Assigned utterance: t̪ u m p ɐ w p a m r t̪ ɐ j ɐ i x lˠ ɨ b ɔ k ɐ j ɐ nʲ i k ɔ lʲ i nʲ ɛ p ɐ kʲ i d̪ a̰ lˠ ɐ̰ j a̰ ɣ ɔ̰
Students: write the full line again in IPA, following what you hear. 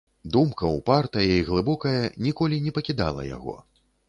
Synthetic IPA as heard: d̪ u m k ɐ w p a r t̪ ɐ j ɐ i ɣ lˠ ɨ b ɔ k ɐ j ɐ nʲ i k ɔ lʲ i nʲ ɛ p ɐ kʲ i d̪ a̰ lˠ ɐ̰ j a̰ ɣ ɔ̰